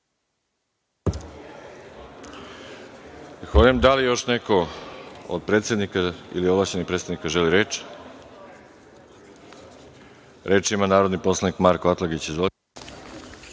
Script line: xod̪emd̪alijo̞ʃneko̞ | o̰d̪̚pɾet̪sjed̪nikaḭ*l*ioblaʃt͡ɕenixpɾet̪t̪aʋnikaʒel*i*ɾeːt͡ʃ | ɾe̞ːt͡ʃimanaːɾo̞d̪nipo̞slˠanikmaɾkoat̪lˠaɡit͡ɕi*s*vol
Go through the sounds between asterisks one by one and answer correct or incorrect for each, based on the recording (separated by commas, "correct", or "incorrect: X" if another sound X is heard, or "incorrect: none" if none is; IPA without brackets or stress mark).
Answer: correct, correct, incorrect: z